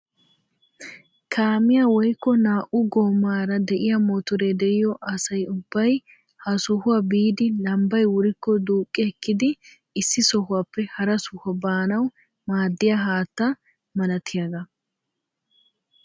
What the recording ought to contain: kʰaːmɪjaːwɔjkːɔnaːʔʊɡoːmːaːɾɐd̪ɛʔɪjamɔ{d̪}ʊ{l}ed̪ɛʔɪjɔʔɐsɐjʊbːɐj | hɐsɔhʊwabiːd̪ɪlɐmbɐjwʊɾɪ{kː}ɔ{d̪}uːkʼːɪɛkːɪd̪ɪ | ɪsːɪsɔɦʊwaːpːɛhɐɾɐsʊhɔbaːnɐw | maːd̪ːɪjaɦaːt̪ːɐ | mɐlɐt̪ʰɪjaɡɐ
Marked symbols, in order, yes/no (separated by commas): no, no, yes, yes